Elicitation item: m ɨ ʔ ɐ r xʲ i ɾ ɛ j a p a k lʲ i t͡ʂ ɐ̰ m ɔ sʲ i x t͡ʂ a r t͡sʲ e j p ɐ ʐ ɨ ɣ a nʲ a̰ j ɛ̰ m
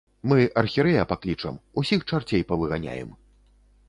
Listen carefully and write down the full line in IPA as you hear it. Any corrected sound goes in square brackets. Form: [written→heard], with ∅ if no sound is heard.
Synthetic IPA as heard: m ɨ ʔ ɐ r xʲ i ɾ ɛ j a p a k lʲ i t͡ʂ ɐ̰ m [ɔ→u] sʲ i x t͡ʂ a r t͡sʲ e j p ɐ [ʐ→v] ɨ ɣ a nʲ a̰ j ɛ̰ m